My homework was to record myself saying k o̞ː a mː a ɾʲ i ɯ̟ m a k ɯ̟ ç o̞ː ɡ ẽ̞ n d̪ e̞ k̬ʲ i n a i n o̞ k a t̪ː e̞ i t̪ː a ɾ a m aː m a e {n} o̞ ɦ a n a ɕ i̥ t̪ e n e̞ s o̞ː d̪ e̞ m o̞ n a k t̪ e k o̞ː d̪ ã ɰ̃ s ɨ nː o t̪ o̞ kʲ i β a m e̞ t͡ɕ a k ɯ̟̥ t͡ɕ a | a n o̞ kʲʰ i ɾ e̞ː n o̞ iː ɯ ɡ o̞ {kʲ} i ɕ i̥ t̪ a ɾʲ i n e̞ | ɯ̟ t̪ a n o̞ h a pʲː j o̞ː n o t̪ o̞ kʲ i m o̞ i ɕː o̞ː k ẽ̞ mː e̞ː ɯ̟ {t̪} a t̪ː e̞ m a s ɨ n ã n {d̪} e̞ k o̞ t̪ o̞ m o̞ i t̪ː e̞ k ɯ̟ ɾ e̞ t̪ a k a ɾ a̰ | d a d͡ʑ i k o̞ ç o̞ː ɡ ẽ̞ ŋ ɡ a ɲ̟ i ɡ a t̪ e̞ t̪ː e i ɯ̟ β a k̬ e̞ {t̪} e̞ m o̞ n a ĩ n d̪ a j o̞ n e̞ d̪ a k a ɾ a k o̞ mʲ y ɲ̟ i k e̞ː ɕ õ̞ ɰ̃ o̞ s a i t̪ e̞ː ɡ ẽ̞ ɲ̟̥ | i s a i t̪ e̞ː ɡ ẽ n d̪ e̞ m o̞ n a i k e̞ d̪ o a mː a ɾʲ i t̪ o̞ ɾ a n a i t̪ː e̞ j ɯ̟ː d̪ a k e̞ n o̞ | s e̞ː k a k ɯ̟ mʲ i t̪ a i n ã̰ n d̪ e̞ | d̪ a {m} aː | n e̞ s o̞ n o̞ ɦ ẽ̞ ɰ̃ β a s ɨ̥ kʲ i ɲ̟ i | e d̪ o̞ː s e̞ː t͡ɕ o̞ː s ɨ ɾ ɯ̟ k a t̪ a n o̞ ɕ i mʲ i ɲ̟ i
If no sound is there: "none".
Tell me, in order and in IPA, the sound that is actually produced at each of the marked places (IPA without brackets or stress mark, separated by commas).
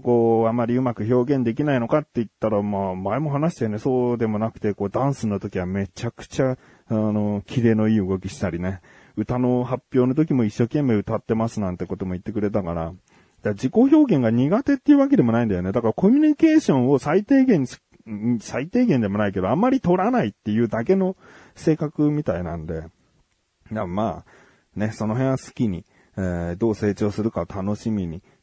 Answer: m, kʲ, t̪, t̪, d̪, m